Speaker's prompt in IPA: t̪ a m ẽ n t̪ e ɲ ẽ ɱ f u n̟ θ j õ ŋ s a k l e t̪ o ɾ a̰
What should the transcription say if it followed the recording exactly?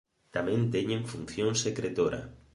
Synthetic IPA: t̪ a m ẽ n t̪ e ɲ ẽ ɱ f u n̟ θ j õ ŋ s e k ɾ e t̪ o ɾ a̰